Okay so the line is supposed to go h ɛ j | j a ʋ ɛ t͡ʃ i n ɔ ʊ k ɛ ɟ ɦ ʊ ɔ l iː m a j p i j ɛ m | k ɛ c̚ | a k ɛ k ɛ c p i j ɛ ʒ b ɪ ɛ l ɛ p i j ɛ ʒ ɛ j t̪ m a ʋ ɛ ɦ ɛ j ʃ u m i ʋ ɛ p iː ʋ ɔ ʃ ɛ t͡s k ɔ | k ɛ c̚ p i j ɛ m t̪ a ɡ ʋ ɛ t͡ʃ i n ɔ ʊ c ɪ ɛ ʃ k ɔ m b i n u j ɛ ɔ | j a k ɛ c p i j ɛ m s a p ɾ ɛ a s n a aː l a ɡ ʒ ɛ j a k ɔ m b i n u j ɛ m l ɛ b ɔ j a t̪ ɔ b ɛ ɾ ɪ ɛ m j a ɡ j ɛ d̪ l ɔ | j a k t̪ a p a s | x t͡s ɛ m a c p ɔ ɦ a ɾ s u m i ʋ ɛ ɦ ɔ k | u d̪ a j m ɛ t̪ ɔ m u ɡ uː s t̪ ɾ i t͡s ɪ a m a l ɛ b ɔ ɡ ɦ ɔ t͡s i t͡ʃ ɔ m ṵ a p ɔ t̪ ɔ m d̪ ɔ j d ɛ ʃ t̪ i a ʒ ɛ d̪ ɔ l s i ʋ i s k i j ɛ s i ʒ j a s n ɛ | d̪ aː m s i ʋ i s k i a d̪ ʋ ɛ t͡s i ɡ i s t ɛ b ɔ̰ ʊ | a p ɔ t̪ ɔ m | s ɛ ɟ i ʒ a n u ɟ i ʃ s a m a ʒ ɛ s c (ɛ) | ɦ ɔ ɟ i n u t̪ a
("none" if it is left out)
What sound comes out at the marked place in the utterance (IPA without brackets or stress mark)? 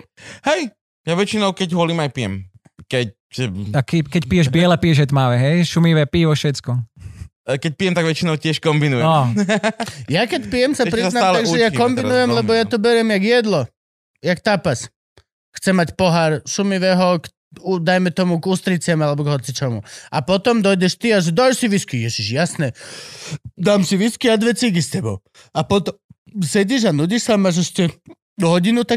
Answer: ɛ